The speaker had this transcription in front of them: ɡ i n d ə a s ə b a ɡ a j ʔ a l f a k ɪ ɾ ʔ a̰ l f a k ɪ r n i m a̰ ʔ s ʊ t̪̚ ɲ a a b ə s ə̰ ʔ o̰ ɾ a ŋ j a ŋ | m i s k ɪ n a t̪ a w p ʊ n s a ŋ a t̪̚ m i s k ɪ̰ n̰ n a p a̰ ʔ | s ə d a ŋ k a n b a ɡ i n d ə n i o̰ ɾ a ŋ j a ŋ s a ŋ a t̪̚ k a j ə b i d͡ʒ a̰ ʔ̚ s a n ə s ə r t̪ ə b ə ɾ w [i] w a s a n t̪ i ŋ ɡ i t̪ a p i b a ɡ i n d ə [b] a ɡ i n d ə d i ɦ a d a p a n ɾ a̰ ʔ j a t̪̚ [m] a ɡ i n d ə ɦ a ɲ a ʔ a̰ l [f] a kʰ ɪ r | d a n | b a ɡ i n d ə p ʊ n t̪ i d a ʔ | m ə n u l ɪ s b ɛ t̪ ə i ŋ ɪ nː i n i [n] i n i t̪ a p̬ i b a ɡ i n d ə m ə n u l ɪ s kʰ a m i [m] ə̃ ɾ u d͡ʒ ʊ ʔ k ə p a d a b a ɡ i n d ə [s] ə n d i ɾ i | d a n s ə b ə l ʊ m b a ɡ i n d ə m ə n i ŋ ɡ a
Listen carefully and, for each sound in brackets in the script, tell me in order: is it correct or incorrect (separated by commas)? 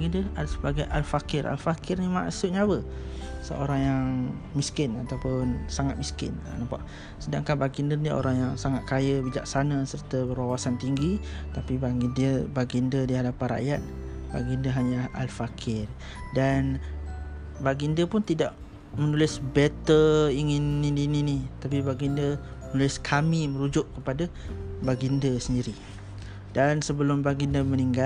incorrect, correct, incorrect, correct, correct, correct, correct